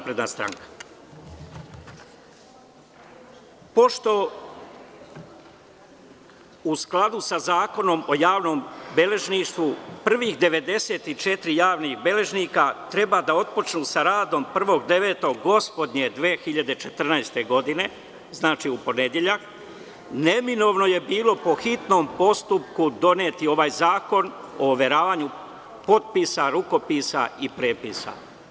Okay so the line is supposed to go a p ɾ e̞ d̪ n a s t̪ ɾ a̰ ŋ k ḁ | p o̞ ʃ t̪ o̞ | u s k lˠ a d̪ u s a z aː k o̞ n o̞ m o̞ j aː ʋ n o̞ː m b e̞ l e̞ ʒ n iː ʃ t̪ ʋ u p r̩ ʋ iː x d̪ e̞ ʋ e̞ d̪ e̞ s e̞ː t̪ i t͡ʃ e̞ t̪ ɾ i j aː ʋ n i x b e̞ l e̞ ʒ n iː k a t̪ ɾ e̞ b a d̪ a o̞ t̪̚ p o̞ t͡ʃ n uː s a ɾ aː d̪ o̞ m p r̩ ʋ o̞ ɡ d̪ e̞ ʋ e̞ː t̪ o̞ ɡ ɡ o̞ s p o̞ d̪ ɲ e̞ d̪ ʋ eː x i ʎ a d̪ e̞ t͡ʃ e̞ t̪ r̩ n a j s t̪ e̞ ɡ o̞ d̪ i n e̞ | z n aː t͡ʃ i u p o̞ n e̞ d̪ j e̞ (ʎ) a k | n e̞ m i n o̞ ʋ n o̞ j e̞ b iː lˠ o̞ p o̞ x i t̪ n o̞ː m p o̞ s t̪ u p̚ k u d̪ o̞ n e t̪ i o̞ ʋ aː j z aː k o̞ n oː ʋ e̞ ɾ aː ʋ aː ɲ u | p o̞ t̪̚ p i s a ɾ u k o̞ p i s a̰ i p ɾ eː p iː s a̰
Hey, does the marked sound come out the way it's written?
yes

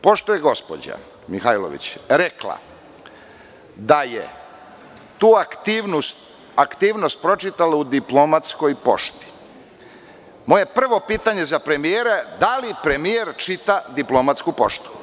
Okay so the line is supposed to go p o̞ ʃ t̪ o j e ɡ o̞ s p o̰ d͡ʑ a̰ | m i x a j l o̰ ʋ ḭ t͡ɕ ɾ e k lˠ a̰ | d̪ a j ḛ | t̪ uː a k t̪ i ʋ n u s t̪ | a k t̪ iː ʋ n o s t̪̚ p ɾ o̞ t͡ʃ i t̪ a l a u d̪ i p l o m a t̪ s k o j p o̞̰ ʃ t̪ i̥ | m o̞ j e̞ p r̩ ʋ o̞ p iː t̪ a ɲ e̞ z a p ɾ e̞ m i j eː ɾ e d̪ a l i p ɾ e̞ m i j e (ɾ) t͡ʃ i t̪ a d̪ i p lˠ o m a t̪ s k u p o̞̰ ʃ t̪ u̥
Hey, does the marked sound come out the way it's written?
yes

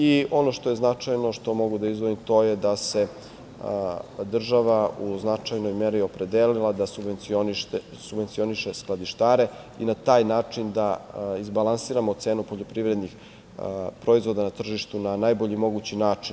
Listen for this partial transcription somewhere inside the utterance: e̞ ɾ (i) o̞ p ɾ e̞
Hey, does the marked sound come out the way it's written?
yes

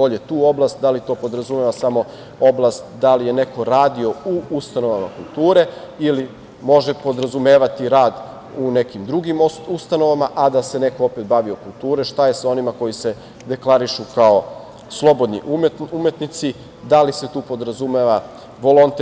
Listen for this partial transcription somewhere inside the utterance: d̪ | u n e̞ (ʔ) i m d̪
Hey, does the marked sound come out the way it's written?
no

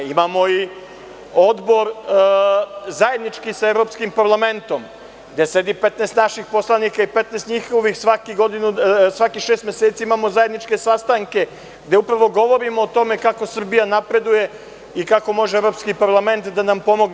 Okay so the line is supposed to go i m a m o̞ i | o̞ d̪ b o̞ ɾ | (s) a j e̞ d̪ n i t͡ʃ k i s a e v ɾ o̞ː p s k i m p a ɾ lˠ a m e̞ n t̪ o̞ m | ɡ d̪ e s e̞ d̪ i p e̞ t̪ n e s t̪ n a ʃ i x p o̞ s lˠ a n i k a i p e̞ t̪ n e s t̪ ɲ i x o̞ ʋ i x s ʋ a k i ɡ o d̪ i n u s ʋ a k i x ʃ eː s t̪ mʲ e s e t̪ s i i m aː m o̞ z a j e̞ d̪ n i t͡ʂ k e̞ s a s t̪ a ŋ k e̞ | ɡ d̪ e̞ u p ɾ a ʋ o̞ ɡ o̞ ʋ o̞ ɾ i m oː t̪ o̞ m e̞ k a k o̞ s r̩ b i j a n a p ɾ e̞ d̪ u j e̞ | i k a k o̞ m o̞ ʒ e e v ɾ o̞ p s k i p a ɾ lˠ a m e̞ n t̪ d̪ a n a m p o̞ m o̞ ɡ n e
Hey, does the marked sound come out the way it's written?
no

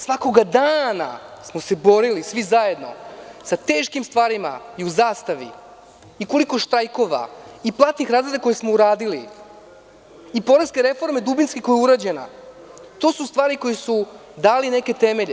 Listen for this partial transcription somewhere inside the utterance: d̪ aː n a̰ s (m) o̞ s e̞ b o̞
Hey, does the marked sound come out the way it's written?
yes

